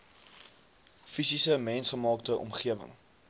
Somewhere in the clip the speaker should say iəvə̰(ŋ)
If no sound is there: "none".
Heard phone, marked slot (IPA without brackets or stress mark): ŋ